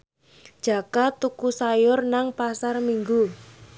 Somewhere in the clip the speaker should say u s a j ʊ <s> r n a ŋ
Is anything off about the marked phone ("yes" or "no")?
yes